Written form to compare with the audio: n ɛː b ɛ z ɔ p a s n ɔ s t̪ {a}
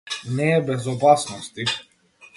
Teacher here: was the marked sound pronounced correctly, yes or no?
no